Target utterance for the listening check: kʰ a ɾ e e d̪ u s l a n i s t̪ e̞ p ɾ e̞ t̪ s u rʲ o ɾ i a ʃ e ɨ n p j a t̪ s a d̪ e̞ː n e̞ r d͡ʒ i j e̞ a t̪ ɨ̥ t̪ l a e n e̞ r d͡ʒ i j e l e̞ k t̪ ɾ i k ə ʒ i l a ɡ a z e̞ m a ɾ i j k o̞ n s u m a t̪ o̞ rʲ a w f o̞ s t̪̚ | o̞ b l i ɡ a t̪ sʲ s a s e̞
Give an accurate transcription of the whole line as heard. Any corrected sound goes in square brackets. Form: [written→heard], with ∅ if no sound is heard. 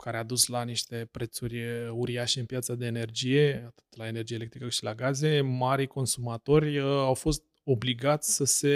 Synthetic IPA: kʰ a ɾ e [e→a] d̪ u s l a n i [s→ʃ] t̪ e̞ p ɾ e̞ t̪ s u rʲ [o→u] ɾ i a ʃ e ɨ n p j a t̪ s a d̪ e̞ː n e̞ r d͡ʒ i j e̞ a t̪ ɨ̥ t̪ l a e n e̞ r d͡ʒ i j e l e̞ k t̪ ɾ i k ə [ʒ→ʃ] i l a ɡ a z e̞ m a ɾ i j k o̞ n s u m a t̪ o̞ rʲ a w f o̞ s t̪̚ | o̞ b l i ɡ a t̪ sʲ s [a→ə] s e̞